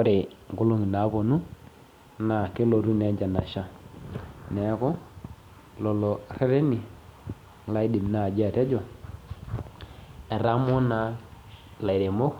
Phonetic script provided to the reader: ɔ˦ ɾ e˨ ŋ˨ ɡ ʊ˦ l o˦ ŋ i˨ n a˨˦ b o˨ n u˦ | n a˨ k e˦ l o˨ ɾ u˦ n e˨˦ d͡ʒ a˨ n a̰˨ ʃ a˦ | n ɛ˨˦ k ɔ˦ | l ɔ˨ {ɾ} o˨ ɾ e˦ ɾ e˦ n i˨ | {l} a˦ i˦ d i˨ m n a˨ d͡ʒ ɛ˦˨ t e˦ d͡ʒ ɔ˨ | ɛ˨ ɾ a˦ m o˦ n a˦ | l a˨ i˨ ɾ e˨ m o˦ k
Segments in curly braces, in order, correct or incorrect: incorrect: l, correct

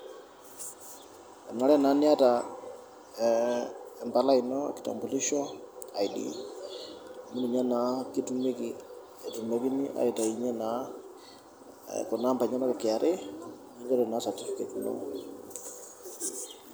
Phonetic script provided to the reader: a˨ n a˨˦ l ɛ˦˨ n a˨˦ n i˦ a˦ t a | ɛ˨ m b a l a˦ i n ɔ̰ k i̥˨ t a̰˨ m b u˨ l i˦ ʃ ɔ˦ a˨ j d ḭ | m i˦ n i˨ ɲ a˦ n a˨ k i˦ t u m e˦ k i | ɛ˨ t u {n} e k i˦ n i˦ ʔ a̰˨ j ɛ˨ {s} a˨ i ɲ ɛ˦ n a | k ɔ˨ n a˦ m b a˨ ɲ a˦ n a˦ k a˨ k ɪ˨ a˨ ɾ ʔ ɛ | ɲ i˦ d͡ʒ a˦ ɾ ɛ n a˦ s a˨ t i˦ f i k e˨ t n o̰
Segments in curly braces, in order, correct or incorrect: incorrect: m, incorrect: t

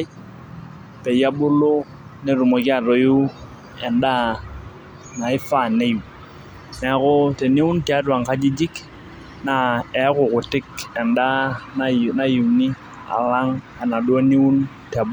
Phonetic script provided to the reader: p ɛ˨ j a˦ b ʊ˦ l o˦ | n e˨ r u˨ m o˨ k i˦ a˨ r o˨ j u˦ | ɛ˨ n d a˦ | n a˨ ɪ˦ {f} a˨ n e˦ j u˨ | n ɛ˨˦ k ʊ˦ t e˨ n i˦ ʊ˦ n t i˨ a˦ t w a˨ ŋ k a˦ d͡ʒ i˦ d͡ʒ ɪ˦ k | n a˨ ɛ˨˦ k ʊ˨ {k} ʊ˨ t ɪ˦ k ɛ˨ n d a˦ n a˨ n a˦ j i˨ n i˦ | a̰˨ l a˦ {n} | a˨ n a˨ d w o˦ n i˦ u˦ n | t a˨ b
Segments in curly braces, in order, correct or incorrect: correct, correct, incorrect: ŋ

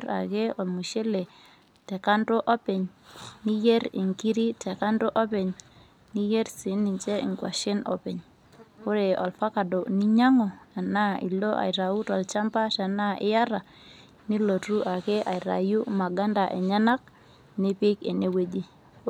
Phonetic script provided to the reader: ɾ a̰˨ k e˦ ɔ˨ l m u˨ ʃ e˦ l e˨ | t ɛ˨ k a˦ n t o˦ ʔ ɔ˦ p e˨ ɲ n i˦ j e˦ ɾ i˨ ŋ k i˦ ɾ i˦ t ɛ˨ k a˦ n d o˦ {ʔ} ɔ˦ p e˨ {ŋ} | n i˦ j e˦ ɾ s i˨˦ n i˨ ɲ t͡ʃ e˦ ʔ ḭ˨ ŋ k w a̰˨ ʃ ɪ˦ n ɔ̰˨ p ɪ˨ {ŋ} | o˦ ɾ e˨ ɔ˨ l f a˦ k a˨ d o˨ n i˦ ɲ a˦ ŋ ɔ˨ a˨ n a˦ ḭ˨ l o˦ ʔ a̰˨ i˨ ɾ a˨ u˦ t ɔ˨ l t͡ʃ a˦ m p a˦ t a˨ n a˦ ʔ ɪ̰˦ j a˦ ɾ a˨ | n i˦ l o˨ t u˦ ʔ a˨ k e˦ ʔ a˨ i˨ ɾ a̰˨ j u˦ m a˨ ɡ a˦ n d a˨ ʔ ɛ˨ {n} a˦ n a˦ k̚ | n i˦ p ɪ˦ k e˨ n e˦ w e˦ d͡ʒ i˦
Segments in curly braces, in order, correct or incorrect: correct, incorrect: ɲ, incorrect: ɲ, incorrect: ɲ

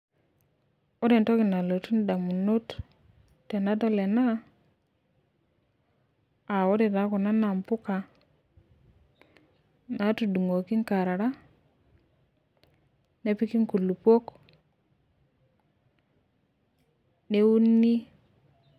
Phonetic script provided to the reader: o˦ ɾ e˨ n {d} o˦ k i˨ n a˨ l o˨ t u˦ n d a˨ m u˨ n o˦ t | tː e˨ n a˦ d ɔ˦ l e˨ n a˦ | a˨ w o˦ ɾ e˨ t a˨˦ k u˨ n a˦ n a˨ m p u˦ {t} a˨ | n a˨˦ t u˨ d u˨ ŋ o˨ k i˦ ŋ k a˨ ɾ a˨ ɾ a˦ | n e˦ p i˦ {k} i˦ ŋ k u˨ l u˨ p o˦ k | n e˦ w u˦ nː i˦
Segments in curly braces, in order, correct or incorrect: incorrect: t, incorrect: k, correct

